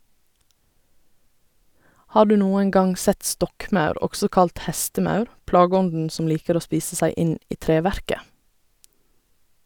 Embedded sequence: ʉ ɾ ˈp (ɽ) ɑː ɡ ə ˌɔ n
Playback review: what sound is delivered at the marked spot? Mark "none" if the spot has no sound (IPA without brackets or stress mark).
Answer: l